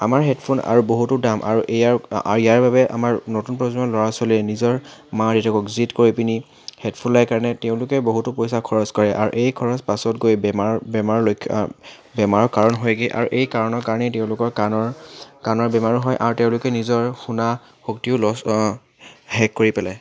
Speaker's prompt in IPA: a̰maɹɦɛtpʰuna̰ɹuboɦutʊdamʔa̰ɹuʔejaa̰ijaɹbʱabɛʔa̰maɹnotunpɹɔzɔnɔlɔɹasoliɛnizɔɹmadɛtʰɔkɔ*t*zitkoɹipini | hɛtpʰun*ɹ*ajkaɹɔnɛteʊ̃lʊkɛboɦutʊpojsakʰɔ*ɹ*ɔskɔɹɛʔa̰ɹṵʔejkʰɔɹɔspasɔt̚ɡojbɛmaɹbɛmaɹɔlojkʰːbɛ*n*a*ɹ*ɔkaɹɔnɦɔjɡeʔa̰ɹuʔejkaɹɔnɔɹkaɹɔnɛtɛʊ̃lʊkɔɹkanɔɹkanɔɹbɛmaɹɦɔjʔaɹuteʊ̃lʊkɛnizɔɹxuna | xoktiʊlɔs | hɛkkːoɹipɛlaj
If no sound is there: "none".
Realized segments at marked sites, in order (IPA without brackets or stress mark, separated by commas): k, l, ɹ, m, ɹ